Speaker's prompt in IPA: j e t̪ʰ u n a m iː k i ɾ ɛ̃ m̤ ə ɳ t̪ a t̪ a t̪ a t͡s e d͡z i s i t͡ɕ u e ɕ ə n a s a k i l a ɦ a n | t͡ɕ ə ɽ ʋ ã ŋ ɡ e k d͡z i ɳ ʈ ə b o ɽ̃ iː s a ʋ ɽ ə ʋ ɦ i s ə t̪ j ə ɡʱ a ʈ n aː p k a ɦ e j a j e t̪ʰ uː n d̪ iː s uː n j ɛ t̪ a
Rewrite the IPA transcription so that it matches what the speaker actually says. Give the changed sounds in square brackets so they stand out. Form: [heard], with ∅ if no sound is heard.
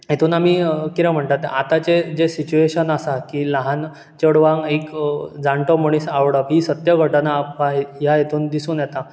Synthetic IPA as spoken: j e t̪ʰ [uː] n a m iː k i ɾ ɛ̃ m̤ ə ɳ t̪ a t̪ a t̪ a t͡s e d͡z [e] s i t͡ɕ u e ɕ ə n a s a k i l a ɦ a n | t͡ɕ ə ɽ ʋ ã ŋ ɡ e k d͡z [a] ɳ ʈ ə [m] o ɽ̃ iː s a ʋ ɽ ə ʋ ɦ i s ə t̪ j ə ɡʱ [ə] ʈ n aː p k a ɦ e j a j e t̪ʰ uː n d̪ [i] s uː n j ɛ t̪ a